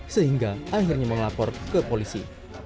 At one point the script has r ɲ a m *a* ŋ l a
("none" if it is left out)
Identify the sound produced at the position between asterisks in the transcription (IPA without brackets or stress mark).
ə